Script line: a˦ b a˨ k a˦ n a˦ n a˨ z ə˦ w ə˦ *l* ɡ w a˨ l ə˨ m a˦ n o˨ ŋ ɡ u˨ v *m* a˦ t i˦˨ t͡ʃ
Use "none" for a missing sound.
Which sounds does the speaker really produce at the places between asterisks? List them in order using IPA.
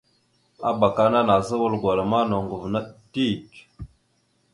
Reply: l, n

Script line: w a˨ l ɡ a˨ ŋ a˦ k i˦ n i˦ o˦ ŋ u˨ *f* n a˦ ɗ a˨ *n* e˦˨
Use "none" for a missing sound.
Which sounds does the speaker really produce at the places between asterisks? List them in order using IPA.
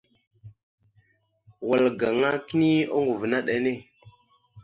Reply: v, n

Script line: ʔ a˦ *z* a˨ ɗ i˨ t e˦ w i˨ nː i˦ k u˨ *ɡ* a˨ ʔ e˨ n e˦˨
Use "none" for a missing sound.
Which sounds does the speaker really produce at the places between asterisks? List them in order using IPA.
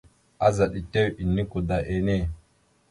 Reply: z, d

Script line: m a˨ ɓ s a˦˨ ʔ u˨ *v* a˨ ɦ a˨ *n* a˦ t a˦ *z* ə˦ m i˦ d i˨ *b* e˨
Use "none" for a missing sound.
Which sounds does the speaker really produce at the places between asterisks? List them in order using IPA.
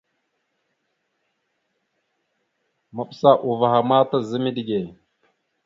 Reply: v, m, z, ɡ

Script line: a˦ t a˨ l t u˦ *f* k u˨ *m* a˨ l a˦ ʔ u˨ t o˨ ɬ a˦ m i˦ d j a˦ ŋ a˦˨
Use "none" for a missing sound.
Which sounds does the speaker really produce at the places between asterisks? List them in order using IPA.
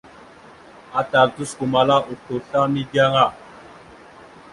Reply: s, m

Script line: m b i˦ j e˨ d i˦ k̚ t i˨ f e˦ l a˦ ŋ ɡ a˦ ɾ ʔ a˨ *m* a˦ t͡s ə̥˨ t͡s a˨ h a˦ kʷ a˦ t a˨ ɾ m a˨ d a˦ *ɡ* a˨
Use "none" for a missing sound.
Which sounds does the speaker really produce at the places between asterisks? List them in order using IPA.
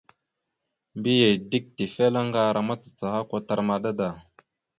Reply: m, d

